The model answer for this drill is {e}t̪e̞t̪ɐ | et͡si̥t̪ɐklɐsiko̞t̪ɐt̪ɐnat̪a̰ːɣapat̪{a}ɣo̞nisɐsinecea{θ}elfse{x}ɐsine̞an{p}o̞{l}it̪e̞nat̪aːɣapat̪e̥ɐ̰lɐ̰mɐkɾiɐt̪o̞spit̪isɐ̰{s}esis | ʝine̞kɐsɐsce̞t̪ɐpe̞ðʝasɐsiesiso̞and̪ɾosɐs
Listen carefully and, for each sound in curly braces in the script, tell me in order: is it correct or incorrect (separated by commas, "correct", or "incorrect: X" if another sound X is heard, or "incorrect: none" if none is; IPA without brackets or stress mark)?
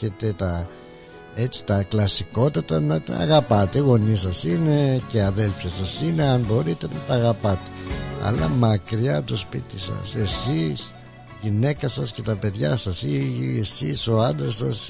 correct, incorrect: e, incorrect: ð, incorrect: s, incorrect: b, incorrect: ɾ, correct